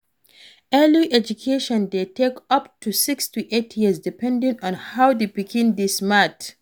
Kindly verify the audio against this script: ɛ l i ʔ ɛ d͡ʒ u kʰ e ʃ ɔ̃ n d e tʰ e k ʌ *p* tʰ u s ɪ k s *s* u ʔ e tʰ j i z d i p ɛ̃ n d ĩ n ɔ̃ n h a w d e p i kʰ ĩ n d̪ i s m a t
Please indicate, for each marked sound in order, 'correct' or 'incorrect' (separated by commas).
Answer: correct, incorrect